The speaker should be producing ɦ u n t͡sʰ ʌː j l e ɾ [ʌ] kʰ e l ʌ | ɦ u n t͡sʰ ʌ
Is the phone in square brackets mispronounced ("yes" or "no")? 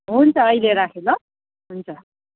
yes